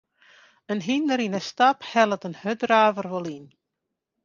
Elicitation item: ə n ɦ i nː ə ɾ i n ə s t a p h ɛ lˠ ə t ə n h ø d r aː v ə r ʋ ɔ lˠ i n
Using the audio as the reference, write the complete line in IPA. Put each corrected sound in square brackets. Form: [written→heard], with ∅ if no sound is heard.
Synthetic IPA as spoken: ə n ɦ i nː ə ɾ i n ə s t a p h ɛ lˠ ə t ə n h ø d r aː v ə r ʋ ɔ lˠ i n

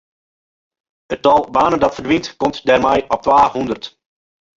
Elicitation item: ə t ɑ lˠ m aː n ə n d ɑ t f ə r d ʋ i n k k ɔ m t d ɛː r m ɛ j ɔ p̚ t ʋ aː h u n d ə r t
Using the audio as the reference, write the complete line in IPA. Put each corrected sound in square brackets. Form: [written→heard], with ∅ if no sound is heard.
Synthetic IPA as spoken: ə t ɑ lˠ [m→b] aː n ə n d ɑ t f ə r d ʋ i n [k→t] k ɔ m t d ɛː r m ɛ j ɔ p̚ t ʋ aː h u n d ə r t

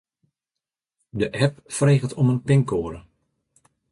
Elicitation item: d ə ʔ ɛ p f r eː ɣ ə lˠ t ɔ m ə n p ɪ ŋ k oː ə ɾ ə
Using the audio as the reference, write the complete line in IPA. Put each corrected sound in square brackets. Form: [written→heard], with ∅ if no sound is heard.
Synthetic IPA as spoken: d ə ʔ ɛ p f r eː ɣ ə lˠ t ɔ m ə n p ɪ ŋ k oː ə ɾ ə

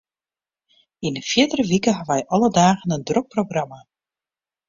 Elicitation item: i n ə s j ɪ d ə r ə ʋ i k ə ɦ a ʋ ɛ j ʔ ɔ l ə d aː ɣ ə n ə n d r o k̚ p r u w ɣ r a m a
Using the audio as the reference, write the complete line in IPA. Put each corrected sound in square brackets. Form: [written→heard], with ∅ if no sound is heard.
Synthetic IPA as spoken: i n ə [s→f] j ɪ d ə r ə ʋ i k ə ɦ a ʋ ɛ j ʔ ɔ l ə d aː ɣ ə n ə n d r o k̚ p r [u→o] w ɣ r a m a

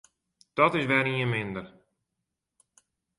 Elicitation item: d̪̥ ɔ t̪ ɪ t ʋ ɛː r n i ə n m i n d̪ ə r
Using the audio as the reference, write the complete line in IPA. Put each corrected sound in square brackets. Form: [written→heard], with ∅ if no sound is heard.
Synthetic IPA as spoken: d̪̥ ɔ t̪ ɪ [t→s] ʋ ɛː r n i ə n m [i→ɪ] n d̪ ə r

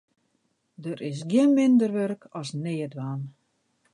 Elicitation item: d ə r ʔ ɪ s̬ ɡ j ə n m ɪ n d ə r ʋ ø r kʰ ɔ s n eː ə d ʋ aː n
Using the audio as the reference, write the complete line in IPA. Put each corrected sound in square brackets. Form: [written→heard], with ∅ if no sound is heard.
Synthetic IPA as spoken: d ə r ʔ ɪ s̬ ɡ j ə n m ɪ n d ə r ʋ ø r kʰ ɔ s n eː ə d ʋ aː n

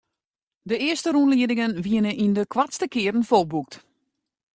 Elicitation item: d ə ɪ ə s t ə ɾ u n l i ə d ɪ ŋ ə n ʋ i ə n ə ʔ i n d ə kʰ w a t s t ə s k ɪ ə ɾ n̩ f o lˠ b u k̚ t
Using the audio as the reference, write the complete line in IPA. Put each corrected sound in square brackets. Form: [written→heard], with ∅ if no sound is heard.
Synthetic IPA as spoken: d ə ɪ ə s t ə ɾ u n l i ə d ɪ ŋ ə n ʋ i ə n ə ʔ i n d ə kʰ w a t s t ə [s→∅] k ɪ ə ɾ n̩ f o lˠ b u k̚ t

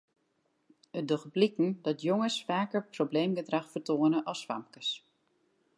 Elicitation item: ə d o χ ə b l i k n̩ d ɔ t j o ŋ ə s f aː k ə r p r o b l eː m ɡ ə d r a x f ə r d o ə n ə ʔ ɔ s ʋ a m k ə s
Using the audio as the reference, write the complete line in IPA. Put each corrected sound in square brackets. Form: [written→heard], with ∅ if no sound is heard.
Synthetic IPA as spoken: ə d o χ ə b l i k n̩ d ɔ t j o ŋ ə s f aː k ə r p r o b l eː m ɡ ə d r a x f ə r [d→t] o ə n ə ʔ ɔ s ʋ a m k ə s

